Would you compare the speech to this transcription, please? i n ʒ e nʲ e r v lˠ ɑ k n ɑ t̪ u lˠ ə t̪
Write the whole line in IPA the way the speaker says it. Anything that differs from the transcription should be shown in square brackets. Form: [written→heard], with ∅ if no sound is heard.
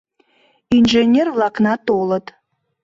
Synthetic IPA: i n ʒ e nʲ e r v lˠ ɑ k n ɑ t̪ [u→o] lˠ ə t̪